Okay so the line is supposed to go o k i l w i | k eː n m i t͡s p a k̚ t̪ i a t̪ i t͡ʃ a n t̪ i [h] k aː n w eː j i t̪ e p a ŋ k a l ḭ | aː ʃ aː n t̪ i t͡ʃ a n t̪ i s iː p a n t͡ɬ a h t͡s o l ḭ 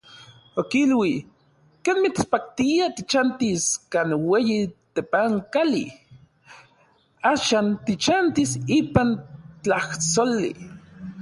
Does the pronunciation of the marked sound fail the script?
yes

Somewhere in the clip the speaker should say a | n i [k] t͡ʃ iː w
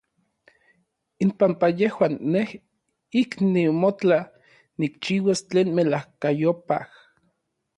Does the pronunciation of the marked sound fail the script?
no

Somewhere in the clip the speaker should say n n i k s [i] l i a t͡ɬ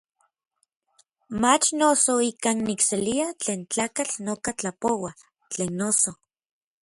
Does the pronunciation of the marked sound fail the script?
yes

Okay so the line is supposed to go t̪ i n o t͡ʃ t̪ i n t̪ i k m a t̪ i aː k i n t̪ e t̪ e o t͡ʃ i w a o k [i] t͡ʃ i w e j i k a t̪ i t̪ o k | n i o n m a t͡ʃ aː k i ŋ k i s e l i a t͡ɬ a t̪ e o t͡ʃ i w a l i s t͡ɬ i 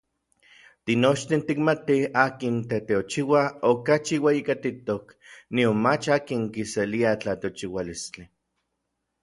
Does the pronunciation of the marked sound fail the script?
yes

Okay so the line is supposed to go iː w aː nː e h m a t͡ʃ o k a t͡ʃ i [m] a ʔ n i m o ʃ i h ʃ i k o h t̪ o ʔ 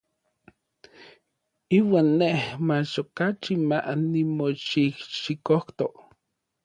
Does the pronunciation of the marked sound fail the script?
no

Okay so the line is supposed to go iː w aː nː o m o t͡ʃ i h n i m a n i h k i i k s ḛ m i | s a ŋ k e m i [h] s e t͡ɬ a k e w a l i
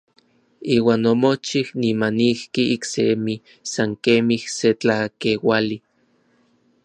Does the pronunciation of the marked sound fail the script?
no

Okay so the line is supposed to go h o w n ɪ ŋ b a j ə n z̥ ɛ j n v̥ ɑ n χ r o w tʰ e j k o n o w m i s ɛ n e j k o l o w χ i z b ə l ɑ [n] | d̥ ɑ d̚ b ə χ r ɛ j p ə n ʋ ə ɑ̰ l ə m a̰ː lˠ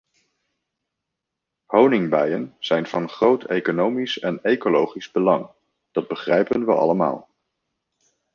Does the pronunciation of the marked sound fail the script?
yes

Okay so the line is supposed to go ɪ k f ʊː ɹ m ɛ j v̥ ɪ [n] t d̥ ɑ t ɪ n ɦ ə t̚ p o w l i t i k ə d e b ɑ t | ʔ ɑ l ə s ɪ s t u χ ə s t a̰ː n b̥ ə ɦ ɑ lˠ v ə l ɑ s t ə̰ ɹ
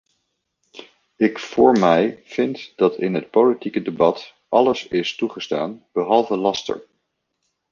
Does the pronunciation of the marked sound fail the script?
no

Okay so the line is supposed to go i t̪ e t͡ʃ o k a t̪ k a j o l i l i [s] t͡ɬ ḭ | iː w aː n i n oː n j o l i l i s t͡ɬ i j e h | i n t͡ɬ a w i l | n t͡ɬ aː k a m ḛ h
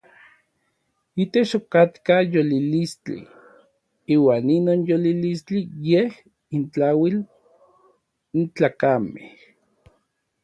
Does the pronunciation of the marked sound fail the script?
no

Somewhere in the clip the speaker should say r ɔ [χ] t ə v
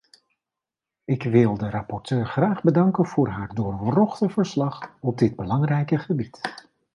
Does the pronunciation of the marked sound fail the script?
no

